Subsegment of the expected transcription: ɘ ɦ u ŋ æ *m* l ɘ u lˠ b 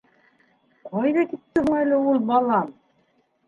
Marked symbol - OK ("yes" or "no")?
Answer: no